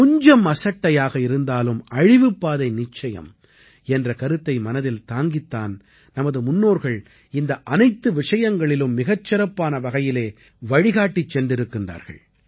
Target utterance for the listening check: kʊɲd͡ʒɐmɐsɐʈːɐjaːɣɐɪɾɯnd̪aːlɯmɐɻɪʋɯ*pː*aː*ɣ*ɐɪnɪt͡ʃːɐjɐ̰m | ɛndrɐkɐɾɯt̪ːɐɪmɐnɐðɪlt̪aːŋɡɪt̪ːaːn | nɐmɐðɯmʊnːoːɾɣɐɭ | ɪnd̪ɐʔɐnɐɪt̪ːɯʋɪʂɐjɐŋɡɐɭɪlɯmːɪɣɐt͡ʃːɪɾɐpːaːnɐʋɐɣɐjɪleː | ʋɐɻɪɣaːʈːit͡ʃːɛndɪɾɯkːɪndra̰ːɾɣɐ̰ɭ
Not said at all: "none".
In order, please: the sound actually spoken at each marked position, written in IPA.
pː, ð

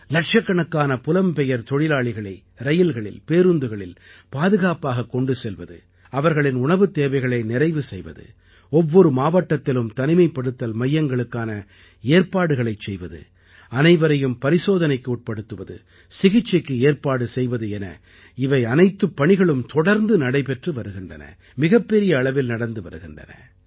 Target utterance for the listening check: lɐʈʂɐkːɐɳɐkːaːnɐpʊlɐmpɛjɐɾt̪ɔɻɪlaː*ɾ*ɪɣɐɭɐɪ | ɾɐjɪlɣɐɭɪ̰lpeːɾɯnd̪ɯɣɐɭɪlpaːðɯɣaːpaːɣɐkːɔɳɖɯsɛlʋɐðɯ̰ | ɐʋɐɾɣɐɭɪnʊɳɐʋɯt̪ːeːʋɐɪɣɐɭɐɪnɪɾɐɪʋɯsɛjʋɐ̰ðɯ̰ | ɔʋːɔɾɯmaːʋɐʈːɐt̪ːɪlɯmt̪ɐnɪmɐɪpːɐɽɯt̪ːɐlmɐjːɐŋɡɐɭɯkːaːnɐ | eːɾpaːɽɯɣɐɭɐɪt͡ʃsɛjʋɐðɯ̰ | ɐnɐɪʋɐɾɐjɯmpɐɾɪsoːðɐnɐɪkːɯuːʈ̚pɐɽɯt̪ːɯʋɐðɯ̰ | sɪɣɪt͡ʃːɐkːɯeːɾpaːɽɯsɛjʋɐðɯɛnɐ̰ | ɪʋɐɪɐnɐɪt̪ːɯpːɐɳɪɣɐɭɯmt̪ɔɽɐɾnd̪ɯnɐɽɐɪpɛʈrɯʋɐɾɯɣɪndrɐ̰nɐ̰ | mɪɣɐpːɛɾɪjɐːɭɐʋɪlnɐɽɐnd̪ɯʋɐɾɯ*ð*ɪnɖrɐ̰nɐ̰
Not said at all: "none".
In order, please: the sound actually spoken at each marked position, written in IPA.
ɭ, ɣ

